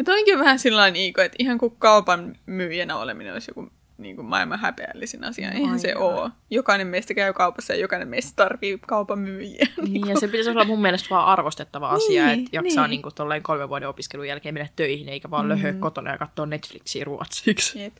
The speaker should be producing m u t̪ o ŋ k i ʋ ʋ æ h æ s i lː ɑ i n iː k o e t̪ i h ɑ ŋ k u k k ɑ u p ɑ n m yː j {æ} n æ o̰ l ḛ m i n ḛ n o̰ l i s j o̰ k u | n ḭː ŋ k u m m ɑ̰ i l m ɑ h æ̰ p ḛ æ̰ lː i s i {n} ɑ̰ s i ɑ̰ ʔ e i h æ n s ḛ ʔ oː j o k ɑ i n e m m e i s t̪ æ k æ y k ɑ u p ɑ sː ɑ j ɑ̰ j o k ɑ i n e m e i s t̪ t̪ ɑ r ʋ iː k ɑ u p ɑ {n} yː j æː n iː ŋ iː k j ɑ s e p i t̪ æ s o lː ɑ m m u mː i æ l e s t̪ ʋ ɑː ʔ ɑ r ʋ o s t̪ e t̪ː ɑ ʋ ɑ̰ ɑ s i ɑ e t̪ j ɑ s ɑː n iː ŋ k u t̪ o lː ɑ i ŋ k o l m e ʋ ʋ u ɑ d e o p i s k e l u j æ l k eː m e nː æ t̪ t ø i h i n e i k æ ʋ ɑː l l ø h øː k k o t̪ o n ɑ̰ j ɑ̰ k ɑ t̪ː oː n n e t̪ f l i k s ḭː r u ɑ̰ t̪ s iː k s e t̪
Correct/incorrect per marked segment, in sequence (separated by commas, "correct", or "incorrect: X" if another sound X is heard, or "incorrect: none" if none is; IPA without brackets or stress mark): correct, correct, incorrect: m